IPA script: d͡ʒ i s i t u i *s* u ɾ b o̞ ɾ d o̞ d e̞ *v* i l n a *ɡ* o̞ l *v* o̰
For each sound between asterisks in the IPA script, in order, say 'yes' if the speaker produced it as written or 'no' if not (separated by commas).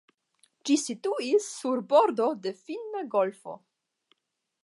no, no, yes, no